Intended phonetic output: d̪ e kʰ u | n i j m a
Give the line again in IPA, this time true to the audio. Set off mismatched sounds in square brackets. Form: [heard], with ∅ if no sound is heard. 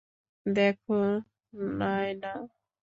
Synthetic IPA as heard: d̪ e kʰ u | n [a] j [n] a